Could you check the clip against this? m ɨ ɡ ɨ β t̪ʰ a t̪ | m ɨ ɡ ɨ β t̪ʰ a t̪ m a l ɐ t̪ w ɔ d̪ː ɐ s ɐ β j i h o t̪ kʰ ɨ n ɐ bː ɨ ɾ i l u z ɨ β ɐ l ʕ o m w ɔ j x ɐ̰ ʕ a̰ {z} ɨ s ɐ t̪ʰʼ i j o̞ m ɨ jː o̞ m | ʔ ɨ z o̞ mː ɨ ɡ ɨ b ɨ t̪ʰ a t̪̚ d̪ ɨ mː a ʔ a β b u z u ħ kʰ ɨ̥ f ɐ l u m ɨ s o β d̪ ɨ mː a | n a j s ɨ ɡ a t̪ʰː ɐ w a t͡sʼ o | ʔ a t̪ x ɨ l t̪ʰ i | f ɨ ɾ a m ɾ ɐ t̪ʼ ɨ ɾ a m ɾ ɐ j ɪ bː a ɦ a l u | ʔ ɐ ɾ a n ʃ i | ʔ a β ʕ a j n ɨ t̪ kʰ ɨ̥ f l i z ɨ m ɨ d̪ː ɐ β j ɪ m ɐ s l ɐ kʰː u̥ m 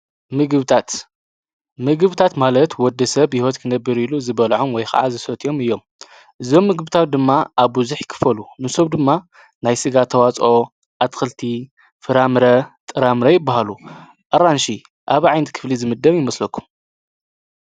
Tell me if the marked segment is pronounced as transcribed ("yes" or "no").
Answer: yes